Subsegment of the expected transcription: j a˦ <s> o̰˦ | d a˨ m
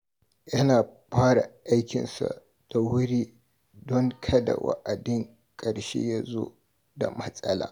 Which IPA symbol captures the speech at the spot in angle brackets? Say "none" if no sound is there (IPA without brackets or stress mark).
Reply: z